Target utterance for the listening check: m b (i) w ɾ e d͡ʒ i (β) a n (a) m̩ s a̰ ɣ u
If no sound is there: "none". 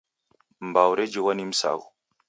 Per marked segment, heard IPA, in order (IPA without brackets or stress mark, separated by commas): a, w, i